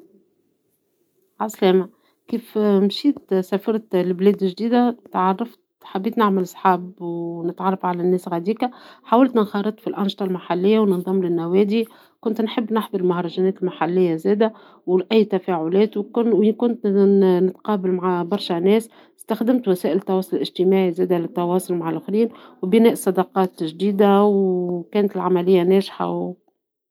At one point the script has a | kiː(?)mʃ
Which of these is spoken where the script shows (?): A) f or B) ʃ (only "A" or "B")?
A